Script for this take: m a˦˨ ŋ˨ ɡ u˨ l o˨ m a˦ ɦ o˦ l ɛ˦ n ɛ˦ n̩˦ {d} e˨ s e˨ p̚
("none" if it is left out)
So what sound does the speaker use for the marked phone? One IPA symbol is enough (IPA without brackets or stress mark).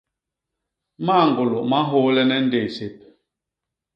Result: d